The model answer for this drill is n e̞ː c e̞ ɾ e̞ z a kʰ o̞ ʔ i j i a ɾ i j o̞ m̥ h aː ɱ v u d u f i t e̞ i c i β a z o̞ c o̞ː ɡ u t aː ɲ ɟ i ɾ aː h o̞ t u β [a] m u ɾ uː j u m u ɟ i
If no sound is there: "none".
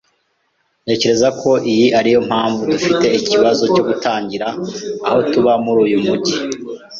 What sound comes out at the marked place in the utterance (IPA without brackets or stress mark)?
a